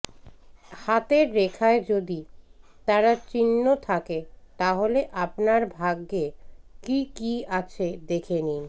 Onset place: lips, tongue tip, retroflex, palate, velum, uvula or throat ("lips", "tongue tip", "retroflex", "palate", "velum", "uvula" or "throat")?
throat